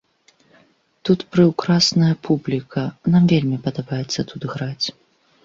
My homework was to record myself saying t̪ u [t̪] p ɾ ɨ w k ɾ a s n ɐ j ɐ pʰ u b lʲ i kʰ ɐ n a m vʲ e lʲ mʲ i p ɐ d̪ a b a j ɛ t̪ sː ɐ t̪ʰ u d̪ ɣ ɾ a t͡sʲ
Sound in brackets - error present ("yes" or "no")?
no